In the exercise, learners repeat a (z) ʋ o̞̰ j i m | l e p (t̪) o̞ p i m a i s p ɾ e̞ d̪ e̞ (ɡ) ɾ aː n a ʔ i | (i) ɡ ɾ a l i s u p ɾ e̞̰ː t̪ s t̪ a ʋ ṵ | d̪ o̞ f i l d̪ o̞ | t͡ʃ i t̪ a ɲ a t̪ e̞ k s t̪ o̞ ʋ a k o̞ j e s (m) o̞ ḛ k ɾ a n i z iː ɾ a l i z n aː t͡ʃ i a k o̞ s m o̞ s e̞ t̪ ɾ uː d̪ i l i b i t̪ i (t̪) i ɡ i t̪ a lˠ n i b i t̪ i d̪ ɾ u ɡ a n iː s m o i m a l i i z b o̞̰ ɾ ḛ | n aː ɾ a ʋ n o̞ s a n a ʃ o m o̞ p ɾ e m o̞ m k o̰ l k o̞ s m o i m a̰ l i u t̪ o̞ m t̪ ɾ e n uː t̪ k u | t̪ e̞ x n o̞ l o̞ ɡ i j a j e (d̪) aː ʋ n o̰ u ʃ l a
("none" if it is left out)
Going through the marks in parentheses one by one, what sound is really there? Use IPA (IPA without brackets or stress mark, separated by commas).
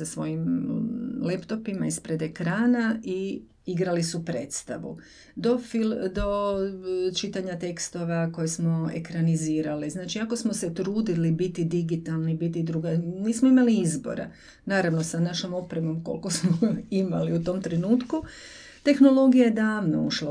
s, t̪, k, i, m, d̪, d̪